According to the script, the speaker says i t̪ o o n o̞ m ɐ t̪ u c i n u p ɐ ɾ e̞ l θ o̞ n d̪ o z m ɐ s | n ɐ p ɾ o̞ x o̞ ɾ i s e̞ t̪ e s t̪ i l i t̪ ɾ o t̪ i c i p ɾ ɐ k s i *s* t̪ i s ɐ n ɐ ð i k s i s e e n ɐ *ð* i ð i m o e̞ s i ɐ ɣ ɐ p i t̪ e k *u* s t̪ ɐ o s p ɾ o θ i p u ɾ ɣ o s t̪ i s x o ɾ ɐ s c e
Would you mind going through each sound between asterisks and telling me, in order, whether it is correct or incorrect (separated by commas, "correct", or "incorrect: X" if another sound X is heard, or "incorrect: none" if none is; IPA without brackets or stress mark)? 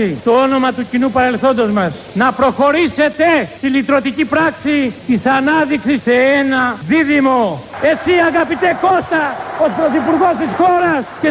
incorrect: none, correct, incorrect: o